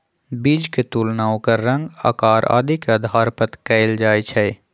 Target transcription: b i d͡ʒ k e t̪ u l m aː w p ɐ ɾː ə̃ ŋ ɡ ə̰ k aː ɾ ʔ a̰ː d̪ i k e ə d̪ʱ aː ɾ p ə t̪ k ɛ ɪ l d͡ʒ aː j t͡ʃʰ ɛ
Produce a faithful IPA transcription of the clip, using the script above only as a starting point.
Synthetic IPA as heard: b i d͡ʒ k e t̪ u l n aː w k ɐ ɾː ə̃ ŋ ɡ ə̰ k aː ɾ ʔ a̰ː d̪ i k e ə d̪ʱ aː ɾ p ə t̪ k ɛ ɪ l d͡ʒ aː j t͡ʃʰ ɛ